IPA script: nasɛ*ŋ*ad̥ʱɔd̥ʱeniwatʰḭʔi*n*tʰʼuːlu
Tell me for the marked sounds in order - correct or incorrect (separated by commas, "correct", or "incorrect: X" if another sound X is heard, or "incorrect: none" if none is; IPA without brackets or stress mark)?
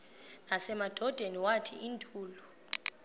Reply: incorrect: m, correct